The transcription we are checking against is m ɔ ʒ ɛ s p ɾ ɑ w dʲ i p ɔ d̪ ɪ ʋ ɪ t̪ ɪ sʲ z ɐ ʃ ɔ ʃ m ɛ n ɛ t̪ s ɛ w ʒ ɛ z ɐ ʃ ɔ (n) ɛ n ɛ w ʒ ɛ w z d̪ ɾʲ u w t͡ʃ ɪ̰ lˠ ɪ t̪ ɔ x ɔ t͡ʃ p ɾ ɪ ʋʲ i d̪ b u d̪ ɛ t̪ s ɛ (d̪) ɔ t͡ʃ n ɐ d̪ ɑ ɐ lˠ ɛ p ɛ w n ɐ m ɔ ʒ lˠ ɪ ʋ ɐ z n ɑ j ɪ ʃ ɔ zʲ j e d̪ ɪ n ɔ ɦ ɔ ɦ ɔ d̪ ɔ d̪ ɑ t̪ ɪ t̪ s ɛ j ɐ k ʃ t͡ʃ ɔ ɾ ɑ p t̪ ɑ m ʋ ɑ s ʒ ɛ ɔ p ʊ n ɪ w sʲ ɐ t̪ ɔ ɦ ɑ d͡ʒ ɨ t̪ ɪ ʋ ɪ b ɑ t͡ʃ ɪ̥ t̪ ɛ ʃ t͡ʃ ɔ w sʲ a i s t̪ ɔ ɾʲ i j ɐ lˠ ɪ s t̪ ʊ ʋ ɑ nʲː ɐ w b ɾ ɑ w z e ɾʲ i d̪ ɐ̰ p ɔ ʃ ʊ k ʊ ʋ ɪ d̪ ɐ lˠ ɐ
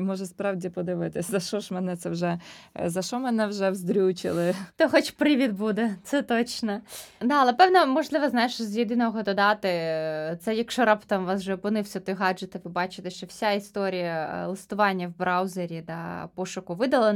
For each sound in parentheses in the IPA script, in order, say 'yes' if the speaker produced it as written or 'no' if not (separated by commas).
no, no